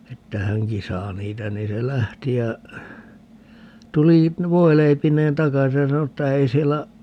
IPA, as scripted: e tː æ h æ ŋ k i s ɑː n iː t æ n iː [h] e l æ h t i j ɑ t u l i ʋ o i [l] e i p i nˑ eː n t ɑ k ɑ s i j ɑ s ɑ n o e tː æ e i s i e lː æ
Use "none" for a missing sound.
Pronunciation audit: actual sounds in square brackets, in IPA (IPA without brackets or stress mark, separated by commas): s, l